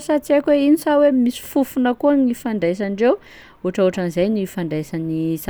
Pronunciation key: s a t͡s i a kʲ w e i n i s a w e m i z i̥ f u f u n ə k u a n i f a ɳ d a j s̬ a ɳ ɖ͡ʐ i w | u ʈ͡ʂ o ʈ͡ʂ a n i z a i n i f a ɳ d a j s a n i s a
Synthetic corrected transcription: s a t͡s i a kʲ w e i n i s a w e m i s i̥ f u f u n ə k u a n i f a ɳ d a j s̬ a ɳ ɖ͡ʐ e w | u ʈ͡ʂ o ʈ͡ʂ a n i z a j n i f a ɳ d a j s a n i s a